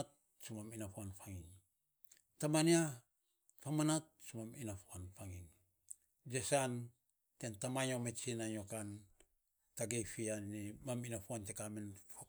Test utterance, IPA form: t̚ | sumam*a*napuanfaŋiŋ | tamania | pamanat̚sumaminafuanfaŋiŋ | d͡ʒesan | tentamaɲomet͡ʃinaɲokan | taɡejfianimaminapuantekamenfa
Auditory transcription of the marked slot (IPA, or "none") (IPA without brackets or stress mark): i